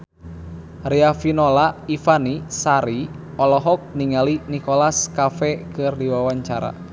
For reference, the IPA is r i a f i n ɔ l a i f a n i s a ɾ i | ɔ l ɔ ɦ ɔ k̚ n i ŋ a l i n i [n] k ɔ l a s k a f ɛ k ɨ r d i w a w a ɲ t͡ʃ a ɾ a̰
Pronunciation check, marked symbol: incorrect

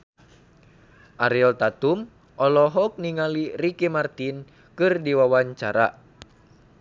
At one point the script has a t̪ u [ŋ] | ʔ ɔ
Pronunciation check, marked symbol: incorrect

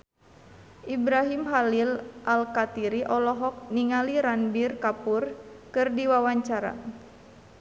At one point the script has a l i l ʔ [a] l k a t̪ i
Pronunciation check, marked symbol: correct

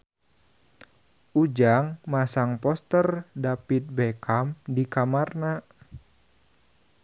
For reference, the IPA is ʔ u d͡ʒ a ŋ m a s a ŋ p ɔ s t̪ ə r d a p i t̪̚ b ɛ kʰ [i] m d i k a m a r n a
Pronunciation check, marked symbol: incorrect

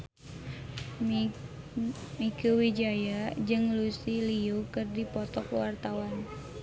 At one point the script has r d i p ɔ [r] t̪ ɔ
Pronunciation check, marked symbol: incorrect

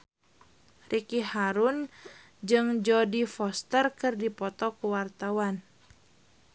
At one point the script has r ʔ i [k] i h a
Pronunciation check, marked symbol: correct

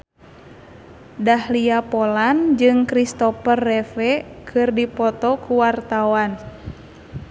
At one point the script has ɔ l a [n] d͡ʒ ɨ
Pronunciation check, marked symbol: correct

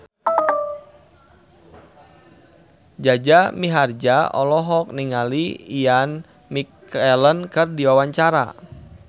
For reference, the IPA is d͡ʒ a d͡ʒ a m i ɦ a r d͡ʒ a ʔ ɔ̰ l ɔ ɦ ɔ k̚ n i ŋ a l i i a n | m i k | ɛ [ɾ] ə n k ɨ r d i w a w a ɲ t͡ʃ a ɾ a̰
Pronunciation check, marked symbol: incorrect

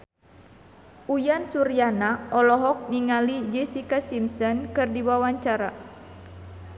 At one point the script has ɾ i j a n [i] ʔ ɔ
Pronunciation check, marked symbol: incorrect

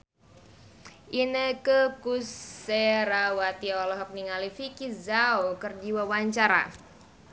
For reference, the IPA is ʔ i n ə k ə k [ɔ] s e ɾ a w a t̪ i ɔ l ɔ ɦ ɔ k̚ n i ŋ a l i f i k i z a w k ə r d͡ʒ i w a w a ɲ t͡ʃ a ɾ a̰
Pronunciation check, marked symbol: incorrect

